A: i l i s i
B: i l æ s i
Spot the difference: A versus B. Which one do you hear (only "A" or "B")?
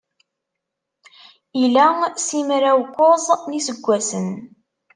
B